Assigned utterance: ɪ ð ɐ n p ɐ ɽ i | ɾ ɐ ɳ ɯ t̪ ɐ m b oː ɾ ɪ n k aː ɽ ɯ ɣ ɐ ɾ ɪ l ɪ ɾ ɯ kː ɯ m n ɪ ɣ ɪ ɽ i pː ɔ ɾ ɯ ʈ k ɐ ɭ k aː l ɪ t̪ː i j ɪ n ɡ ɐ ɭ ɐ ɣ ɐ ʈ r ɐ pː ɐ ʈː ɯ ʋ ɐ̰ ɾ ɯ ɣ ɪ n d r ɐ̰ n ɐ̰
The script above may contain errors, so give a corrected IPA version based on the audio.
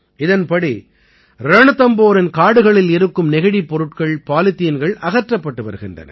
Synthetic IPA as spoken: ɪ ð ɐ n p ɐ ɽ i | ɾ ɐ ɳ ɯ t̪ ɐ m b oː ɾ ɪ n k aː ɽ ɯ ɣ ɐ ɭ ɪ l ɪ ɾ ɯ kː ɯ m n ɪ ɣ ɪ ɽ i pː ɔ ɾ ɯ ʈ k ɐ ɭ p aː l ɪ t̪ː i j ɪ n ɡ ɐ ɭ ɐ ɣ ɐ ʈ r ɐ pː ɐ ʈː ɯ ʋ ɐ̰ ɾ ɯ ɣ ɪ n d r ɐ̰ n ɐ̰

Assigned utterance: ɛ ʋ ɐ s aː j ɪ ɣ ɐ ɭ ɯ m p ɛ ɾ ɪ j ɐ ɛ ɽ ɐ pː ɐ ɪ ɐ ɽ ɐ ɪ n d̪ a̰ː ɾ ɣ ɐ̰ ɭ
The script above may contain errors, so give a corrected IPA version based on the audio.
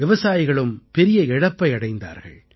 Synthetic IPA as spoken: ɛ ʋ ɐ s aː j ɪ ɣ ɐ ɭ ɯ m p ɛ ɾ ɪ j ɐ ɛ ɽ ɐ pː ɐ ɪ ɐ ɽ ɐ ɪ n d̪ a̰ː ɾ ɣ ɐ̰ ɭ

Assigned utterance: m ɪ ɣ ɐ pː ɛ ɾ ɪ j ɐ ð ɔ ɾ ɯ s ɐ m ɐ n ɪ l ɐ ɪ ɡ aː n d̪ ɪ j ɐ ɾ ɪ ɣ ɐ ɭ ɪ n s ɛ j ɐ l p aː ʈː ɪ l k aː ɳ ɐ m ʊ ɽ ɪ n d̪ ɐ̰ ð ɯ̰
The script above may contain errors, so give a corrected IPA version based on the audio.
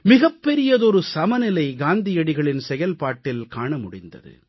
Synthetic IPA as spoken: m ɪ ɣ ɐ pː ɛ ɾ ɪ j ɐ ð ɔ ɾ ɯ s ɐ m ɐ n ɪ l ɐ ɪ ɡ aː n d̪ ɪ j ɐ ɽ ɪ ɣ ɐ ɭ ɪ n s ɛ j ɐ l p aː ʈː ɪ l k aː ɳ ɐ m ʊ ɽ ɪ n d̪ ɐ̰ ð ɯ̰

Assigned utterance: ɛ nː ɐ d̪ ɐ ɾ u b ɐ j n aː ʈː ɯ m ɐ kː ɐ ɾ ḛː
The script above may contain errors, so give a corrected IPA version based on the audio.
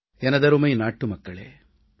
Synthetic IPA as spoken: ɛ n ɐ d̪ ɐ ɾ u m ɐ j n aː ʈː u m ɐ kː ɐ ɭ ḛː

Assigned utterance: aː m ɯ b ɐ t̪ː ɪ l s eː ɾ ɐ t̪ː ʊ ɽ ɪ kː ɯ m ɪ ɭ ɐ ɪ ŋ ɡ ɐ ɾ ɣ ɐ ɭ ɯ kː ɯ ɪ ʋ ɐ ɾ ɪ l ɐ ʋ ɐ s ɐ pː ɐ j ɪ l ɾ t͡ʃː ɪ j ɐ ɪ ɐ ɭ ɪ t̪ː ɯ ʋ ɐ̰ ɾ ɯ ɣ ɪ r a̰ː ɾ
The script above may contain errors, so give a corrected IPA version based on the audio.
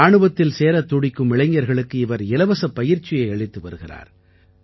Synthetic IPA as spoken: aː ɳ ɯ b ɐ t̪ː ɪ l s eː ɾ ɐ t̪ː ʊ ɽ ɪ kː ɯ m ɪ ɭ ɐ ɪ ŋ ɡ ɐ ɾ ɣ ɐ ɭ ɯ kː ɯ ɪ ʋ ɐ ɾ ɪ l ɐ ʋ ɐ s ɐ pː ɐ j ɪ ɾ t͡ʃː ɪ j ɐ ɪ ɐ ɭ ɪ t̪ː ɯ ʋ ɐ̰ ɾ ɯ ɣ ɪ r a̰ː ɾ

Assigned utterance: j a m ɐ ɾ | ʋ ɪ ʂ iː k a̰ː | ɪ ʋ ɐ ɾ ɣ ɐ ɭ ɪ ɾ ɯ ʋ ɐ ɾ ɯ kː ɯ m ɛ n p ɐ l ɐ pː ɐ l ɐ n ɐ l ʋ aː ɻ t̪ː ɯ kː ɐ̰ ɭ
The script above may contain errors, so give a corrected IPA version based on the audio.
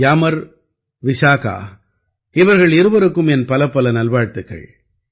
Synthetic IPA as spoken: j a m ɐ ɾ | ʋ ɪ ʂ aː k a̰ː | ɪ ʋ ɐ ɾ ɣ ɐ ɭ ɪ ɾ ɯ ʋ ɐ ɾ ɯ kː ɯ m ɛ n p ɐ l ɐ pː ɐ l ɐ n ɐ l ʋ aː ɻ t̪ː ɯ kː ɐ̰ ɭ

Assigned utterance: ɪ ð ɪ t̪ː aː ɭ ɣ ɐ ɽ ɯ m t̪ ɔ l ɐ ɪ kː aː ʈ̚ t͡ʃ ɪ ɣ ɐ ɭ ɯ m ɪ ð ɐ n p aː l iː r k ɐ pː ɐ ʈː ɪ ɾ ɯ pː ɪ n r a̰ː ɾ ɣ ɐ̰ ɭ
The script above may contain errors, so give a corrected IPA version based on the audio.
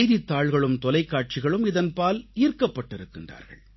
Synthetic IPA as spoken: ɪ ð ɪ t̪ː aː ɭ ɣ ɐ ɭ ɯ m t̪ ɔ l ɐ ɪ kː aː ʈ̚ t͡ʃ ɪ ɣ ɐ ɭ ɯ m ɪ ð ɐ n p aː l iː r k ɐ pː ɐ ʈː ɪ ɾ ɯ kː ɪ n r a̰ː ɾ ɣ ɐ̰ ɭ

